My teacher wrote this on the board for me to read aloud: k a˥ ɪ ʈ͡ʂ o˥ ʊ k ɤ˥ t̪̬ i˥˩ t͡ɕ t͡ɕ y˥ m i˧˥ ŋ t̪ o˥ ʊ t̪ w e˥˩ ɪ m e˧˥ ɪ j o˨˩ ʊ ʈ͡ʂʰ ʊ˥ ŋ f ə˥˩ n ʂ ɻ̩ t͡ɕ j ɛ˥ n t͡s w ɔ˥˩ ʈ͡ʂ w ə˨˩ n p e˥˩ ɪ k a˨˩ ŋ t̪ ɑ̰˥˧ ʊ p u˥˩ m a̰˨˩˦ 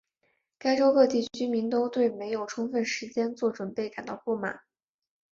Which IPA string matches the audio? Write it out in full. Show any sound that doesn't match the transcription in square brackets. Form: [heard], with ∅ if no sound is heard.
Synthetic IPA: k a˥ ɪ ʈ͡ʂ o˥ ʊ k [ɤ˥˧] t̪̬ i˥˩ t͡ɕ [t͡ɕʰ] y˥ m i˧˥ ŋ t̪ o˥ ʊ t̪ w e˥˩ ɪ m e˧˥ ɪ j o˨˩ ʊ ʈ͡ʂʰ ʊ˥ ŋ f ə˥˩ n ʂ ɻ̩ t͡ɕ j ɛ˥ n t͡s w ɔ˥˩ ʈ͡ʂ w ə˨˩ n p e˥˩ ɪ k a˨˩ [n] t̪ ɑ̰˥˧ ʊ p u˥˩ m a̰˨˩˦